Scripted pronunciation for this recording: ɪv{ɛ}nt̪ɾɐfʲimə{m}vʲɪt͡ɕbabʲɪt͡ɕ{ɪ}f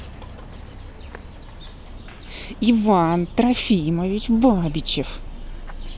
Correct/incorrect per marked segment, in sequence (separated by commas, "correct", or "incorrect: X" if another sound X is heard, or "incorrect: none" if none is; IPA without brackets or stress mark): incorrect: a, incorrect: none, correct